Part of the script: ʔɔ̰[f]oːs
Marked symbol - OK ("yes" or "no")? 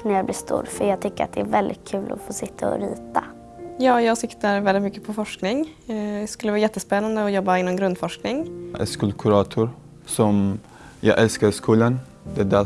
yes